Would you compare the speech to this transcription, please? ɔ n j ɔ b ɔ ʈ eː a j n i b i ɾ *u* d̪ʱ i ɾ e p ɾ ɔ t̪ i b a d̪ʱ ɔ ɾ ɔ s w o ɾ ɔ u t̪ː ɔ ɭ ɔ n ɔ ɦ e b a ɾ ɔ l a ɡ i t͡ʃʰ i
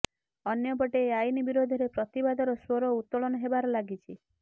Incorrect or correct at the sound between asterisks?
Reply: incorrect: o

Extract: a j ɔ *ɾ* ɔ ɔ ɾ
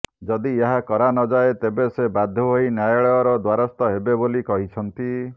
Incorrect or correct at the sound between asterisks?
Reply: incorrect: ɭ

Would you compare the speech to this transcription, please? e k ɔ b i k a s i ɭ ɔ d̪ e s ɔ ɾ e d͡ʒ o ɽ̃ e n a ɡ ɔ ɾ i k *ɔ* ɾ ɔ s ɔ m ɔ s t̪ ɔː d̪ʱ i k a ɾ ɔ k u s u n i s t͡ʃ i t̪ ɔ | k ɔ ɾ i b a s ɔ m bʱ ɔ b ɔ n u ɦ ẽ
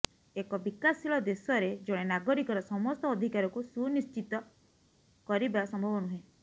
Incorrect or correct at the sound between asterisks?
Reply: correct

